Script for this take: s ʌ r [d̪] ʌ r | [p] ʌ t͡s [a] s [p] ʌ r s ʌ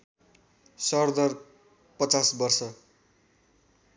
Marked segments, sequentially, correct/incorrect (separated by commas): correct, correct, correct, incorrect